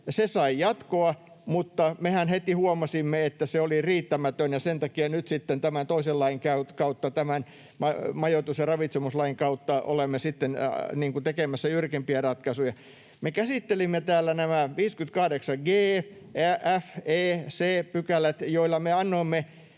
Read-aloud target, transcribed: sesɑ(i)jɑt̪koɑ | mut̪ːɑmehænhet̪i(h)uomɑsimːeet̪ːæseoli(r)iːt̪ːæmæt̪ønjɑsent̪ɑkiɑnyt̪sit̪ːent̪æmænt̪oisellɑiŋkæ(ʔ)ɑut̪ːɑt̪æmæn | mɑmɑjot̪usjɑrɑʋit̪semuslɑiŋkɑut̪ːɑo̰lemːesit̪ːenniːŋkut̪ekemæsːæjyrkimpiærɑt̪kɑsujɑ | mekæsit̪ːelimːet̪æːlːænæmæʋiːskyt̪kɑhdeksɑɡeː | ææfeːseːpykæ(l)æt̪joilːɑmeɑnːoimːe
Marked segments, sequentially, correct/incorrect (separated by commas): correct, correct, correct, incorrect, correct